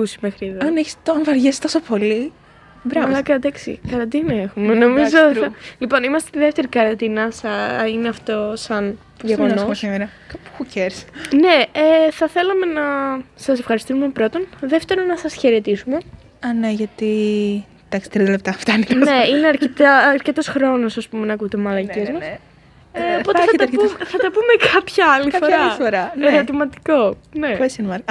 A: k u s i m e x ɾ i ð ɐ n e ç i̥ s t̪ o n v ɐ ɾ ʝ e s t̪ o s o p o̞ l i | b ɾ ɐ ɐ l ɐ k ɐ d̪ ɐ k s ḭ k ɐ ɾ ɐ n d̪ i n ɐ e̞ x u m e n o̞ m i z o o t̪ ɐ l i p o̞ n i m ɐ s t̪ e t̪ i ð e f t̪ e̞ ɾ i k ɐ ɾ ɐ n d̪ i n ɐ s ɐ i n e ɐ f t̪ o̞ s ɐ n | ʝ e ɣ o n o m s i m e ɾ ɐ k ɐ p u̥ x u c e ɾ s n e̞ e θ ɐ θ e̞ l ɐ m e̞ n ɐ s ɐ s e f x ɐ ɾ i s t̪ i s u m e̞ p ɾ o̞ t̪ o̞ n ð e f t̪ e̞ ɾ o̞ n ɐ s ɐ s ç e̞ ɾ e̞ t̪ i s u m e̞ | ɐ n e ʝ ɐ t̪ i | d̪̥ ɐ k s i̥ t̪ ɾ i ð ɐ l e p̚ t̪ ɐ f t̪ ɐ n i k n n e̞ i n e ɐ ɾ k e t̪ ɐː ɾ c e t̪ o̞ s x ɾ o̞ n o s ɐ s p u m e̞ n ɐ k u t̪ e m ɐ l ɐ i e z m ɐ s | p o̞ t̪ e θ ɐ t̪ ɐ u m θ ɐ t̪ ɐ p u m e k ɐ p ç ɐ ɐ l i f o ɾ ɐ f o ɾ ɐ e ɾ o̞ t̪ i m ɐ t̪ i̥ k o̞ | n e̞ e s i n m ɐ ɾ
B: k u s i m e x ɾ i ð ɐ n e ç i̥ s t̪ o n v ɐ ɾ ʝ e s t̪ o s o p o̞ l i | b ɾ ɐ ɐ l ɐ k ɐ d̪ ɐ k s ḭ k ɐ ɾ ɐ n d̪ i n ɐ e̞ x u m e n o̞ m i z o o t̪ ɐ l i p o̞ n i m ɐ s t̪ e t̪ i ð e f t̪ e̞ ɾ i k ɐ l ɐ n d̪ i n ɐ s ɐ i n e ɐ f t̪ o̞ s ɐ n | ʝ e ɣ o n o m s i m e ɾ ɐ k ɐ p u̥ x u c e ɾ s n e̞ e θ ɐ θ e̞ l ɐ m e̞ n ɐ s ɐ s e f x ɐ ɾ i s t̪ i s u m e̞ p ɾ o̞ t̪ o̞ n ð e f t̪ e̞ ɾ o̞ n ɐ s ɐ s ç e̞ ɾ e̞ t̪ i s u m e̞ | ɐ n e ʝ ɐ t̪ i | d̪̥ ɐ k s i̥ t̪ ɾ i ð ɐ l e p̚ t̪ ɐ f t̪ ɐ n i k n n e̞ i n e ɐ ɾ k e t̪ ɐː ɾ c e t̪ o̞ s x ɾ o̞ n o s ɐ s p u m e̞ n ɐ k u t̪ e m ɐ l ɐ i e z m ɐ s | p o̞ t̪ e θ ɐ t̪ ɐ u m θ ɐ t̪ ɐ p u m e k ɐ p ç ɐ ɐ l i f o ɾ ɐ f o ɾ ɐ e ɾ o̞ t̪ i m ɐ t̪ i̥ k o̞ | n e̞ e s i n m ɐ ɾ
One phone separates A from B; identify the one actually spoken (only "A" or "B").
A